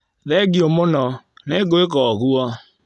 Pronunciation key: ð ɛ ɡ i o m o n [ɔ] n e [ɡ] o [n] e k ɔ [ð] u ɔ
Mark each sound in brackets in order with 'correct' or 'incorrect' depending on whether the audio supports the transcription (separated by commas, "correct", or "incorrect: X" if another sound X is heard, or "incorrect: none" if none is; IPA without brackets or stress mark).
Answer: correct, correct, incorrect: none, incorrect: ɣ